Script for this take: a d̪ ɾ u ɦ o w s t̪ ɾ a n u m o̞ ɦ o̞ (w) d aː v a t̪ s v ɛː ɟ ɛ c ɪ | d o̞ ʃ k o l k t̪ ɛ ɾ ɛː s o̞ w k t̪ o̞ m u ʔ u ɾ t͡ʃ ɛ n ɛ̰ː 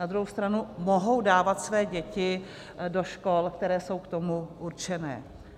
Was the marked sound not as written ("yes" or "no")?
no